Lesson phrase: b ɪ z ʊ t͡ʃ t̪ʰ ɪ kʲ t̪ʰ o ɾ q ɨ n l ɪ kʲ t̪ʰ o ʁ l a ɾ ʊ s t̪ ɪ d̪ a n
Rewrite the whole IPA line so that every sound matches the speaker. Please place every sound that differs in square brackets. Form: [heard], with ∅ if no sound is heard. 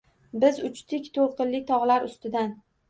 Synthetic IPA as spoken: b ɪ z ʊ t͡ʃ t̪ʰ ɪ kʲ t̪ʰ o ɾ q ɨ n l ɪ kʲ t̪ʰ [ɒ] ʁ l a ɾ ʊ s t̪ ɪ d̪ a n